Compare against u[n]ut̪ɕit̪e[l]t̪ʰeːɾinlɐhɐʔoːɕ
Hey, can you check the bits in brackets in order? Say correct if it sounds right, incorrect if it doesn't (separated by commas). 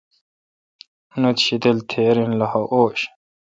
correct, correct